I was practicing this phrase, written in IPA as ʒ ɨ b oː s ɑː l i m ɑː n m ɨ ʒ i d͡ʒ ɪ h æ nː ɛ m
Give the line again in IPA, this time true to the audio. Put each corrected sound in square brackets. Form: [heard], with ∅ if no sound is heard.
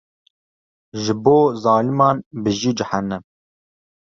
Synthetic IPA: ʒ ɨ b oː [z] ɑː l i m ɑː n [b] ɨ ʒ i d͡ʒ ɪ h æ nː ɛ m